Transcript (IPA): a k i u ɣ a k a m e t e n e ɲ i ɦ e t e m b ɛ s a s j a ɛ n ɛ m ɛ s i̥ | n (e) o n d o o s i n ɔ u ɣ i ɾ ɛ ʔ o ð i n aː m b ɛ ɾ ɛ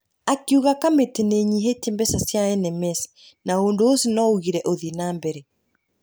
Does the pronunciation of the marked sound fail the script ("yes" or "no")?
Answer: yes